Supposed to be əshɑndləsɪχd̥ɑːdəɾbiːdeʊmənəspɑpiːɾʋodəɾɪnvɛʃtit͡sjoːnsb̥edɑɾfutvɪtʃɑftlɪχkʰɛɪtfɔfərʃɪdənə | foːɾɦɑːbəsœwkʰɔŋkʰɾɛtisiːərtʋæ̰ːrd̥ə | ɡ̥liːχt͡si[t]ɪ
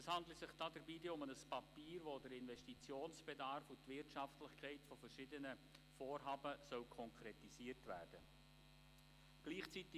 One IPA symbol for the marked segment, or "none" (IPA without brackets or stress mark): t